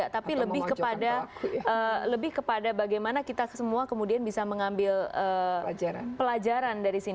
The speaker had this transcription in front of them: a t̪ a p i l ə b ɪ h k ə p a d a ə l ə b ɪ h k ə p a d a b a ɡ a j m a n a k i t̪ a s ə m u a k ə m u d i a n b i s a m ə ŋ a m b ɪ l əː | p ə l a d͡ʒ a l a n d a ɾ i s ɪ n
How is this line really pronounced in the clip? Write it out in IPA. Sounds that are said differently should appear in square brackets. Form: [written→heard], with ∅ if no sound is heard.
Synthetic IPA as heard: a t̪ a p i l ə b ɪ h k ə p a d a ə l ə b ɪ h k ə p a d a b a ɡ a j m a n a k i t̪ a s ə m u a k ə m u d i a n b i s a m ə ŋ a m b ɪ l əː | p ə l a d͡ʒ a [l→ɾ] a n d a ɾ i s [ɪ→i] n